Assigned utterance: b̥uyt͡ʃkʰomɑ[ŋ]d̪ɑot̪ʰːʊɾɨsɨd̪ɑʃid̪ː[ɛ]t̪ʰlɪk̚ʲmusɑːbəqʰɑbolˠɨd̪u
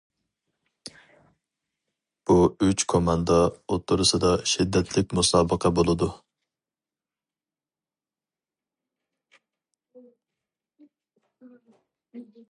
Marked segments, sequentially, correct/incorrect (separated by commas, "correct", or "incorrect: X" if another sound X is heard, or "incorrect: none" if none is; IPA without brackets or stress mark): incorrect: n, correct